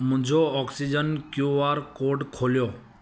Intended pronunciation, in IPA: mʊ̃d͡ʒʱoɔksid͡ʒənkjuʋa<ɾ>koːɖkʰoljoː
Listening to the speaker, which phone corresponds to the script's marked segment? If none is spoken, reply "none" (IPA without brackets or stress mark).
ɾ